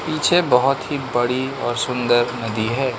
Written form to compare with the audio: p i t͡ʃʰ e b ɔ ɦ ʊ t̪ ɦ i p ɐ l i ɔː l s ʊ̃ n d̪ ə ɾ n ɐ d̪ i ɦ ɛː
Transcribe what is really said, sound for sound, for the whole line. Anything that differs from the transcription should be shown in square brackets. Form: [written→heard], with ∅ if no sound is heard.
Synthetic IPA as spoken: p [i→iː] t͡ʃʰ e b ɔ ɦ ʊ t̪ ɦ i [p→b] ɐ [l→ɽ] i ɔː [l→ɾ] s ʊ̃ n d̪ ə ɾ n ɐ d̪ i ɦ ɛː